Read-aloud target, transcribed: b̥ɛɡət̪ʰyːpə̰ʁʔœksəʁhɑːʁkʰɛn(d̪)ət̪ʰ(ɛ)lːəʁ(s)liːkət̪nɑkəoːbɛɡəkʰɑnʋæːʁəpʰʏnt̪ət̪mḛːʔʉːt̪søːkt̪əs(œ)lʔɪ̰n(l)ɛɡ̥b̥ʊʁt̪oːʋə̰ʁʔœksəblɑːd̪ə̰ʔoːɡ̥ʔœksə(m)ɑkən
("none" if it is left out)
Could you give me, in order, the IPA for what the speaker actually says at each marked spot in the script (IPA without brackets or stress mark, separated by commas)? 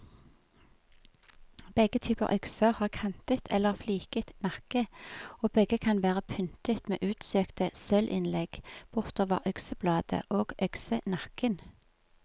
t̪, ɛ, f, œ, l, n